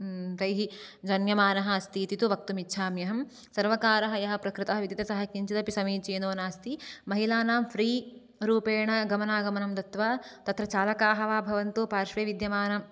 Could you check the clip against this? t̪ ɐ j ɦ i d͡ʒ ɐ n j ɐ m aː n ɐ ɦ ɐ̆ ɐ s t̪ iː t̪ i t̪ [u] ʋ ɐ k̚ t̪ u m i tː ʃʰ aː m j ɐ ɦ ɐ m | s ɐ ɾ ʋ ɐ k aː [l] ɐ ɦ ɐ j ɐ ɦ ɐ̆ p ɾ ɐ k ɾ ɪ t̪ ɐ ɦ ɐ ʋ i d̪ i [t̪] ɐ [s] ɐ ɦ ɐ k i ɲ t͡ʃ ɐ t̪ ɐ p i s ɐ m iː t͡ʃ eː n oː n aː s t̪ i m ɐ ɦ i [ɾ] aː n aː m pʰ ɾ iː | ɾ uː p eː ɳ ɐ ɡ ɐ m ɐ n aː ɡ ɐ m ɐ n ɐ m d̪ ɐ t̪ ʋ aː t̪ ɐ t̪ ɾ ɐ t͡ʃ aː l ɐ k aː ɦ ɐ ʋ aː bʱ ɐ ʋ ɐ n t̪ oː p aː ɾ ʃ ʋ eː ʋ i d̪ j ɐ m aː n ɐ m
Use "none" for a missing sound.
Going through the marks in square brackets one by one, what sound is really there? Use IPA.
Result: u, ɾ, t̪, s, l

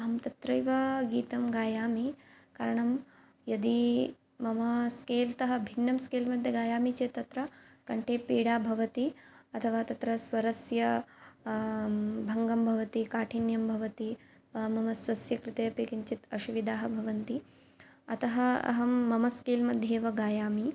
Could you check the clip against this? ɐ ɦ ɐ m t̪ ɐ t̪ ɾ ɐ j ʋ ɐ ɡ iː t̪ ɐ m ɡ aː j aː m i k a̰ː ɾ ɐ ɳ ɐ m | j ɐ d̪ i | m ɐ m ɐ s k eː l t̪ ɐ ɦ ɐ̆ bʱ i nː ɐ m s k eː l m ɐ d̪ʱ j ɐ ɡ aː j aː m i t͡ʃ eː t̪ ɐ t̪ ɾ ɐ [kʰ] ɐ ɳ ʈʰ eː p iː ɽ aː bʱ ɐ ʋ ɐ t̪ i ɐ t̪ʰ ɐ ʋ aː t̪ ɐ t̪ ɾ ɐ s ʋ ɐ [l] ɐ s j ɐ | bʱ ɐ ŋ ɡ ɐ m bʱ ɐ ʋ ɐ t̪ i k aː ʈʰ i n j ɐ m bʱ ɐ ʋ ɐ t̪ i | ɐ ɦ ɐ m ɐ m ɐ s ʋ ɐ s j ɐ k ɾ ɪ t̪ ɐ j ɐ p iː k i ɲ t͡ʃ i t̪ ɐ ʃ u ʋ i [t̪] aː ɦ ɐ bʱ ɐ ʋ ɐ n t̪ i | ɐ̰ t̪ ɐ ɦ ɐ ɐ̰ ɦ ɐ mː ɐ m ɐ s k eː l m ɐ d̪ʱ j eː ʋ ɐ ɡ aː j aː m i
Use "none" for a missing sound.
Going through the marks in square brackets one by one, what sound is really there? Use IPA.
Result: k, ɾ, d̪

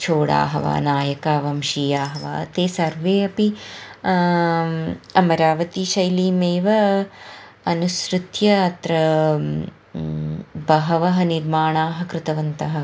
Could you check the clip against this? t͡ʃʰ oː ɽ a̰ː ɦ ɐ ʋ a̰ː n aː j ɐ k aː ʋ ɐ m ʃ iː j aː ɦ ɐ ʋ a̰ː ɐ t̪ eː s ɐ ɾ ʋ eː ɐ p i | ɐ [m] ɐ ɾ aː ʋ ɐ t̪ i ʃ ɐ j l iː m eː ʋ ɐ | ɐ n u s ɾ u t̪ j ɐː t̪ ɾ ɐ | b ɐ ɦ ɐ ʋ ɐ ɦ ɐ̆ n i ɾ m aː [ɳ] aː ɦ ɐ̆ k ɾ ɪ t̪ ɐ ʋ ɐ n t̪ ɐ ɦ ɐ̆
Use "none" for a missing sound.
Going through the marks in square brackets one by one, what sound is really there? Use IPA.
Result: m, ɳ

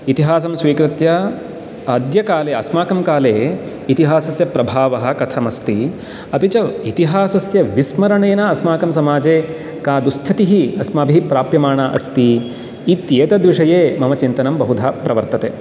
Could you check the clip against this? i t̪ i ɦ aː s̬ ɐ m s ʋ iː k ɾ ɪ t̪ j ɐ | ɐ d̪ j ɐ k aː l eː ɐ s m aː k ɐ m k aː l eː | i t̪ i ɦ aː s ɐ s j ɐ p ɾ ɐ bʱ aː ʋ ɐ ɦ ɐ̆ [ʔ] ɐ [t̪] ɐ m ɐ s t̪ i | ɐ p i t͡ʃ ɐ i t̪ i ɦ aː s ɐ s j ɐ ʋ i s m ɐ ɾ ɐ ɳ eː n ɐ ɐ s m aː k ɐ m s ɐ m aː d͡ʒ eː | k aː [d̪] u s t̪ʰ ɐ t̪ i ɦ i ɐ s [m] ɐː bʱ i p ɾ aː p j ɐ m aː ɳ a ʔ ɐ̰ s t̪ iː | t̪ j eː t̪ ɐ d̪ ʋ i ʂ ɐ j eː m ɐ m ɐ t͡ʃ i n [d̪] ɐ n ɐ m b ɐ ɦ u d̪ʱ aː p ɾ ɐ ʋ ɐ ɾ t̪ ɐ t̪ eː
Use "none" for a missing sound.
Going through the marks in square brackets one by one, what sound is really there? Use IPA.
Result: k, t̪ʰ, d̪, m, t̪

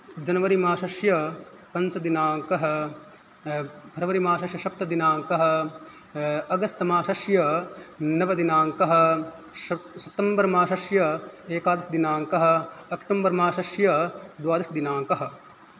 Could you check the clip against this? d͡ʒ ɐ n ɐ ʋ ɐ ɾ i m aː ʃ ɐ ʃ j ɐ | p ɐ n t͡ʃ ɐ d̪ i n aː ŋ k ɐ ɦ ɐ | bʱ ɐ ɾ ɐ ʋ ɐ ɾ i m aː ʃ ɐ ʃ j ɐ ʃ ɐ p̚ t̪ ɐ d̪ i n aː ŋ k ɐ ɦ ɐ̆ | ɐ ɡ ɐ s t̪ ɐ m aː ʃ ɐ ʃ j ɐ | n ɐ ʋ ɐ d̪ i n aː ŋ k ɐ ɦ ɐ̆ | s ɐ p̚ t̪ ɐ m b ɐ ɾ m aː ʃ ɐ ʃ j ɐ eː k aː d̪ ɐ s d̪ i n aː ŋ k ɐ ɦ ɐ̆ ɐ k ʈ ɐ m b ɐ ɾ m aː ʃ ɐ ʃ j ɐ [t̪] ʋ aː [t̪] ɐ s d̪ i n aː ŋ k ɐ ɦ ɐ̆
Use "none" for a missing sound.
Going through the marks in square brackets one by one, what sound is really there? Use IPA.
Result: d̪, d̪

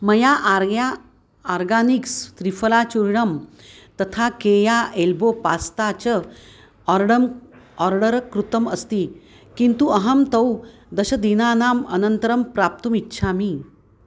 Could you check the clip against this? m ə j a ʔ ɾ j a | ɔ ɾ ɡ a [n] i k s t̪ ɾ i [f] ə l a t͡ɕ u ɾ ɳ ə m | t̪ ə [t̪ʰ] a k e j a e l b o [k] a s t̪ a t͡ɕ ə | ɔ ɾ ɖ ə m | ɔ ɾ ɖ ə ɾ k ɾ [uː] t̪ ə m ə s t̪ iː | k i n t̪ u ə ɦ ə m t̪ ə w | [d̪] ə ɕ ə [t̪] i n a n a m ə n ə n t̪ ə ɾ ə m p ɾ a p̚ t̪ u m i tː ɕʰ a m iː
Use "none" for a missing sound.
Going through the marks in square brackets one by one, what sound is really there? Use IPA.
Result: n, f, t̪ʰ, p, u, d̪, d̪

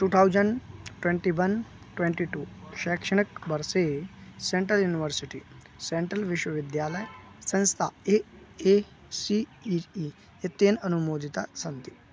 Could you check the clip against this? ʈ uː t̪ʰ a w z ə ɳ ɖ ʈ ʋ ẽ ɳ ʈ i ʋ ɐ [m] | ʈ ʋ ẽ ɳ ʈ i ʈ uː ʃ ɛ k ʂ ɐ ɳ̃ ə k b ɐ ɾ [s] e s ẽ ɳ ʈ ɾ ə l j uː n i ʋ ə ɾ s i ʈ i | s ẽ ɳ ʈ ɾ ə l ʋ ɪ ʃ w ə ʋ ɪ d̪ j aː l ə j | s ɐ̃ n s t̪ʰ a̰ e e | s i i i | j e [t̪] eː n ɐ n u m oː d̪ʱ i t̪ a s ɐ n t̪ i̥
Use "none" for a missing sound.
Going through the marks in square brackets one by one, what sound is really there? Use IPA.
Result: n, s, t̪

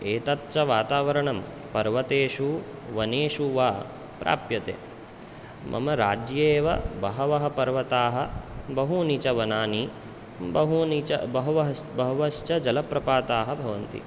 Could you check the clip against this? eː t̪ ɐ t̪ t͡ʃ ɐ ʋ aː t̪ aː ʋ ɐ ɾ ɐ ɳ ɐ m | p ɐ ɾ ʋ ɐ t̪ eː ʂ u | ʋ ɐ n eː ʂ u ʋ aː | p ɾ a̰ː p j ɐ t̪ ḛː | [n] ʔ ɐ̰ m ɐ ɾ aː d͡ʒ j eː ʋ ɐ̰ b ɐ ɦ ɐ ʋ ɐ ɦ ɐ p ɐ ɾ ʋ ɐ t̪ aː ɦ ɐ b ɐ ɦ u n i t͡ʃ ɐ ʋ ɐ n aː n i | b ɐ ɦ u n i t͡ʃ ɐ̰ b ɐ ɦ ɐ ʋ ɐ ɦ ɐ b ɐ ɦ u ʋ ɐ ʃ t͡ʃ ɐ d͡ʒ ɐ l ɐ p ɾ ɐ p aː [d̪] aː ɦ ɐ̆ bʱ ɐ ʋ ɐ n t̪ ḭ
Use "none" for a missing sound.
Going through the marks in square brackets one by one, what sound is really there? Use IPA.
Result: m, t̪

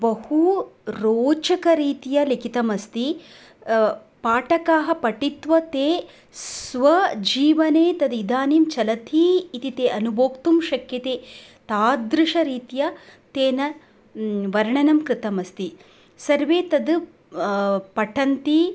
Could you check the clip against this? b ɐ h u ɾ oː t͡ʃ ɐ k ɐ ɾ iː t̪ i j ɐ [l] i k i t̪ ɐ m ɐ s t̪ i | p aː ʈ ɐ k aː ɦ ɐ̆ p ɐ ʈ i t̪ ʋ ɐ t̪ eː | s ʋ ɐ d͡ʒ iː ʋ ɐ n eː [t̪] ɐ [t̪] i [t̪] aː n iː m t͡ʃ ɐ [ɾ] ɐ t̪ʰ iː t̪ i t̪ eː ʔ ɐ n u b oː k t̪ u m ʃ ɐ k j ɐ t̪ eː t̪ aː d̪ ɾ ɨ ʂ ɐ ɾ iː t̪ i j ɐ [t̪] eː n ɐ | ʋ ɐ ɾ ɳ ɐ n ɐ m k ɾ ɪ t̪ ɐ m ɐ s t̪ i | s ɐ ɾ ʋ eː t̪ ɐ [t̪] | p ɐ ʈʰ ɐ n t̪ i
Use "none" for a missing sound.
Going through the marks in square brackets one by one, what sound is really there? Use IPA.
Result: l, t̪, d̪, d̪, l, t̪, d̪

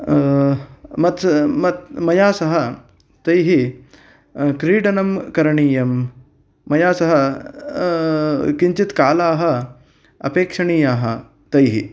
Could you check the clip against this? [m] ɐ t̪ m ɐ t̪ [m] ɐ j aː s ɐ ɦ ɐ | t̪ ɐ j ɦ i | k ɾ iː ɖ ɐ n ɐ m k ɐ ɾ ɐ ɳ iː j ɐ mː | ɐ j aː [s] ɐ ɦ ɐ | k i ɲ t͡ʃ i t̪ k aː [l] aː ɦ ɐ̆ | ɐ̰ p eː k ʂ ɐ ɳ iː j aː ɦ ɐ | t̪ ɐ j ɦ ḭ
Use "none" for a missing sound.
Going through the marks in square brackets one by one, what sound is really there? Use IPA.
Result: m, m, s, l

